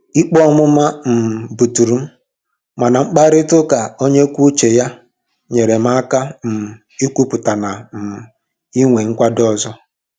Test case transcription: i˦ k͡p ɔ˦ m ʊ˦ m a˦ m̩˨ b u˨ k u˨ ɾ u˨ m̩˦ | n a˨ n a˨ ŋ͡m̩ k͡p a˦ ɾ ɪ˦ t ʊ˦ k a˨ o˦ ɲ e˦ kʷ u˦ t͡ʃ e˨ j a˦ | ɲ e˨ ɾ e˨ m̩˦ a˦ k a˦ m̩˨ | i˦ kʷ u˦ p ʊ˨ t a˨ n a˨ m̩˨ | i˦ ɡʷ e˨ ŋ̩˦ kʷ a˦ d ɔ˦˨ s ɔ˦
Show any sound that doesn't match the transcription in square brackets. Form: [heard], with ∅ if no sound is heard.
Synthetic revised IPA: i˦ k͡p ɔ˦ m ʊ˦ m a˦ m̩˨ b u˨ [t] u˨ ɾ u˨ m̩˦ | [m] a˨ n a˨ ŋ͡m̩ k͡p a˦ ɾ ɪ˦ t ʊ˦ k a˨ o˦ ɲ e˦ kʷ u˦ t͡ʃ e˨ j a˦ | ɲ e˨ ɾ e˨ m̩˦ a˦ k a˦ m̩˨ | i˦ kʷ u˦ p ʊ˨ t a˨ n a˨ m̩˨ | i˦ [ŋʷ] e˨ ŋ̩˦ kʷ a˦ d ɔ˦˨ [z] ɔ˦

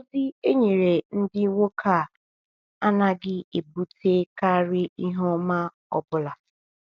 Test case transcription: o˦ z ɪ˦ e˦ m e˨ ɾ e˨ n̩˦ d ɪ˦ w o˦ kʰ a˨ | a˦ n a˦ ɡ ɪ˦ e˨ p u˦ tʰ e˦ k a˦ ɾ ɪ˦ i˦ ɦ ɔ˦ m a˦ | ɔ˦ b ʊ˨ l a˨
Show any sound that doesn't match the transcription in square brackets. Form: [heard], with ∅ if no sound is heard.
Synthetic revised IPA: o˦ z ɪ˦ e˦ [ɲ] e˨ ɾ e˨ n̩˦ d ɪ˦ w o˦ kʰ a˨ | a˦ n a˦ ɡ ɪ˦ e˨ [b] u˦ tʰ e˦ k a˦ ɾ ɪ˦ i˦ ɦ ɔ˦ m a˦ | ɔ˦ b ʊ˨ l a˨

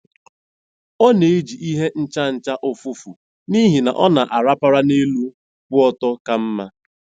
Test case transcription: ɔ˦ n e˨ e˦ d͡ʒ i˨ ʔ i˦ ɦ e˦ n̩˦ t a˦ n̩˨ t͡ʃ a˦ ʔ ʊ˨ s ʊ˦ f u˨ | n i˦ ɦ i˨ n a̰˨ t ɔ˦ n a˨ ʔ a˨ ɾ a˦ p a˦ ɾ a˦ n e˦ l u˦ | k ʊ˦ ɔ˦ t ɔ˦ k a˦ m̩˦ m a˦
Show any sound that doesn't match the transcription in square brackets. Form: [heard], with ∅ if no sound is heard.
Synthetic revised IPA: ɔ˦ n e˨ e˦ d͡ʒ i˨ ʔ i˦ ɦ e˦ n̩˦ [t͡ʃ] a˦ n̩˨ t͡ʃ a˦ ʔ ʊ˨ [f] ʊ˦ f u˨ | n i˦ ɦ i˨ n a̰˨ [ʔ] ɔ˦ n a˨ ʔ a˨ ɾ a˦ p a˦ ɾ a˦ n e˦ l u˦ | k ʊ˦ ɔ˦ t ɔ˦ k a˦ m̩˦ m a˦

